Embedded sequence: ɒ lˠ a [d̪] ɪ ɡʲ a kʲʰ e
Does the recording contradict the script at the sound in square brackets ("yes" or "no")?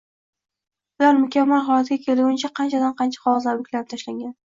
yes